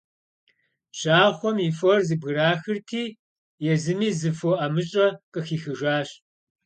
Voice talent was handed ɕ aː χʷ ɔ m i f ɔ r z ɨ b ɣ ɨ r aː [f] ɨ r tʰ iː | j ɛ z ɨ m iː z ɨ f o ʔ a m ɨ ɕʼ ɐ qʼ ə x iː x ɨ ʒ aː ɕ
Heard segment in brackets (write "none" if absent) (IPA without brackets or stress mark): x